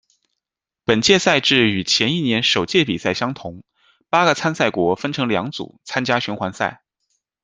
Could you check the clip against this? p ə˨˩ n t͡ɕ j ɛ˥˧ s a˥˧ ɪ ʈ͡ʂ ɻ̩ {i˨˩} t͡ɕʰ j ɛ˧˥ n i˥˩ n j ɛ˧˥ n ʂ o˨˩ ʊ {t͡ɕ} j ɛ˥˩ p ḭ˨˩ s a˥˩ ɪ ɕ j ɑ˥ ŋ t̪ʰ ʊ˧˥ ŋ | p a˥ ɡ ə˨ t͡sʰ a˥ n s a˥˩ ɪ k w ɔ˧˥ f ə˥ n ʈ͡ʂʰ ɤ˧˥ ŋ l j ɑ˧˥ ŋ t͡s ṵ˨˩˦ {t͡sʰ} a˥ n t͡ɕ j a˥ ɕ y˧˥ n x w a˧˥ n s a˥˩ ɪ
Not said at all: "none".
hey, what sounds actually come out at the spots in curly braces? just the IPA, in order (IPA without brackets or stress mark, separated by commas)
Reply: y˨˩, t͡ɕ, t͡sʰ